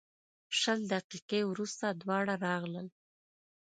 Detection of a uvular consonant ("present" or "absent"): present